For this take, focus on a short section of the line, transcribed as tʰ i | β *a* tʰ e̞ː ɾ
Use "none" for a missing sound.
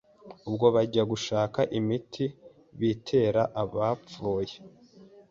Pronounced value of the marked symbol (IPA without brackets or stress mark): i